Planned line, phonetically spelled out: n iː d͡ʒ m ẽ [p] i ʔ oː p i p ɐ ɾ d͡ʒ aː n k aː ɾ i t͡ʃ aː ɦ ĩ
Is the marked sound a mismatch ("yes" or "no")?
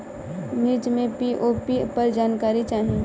no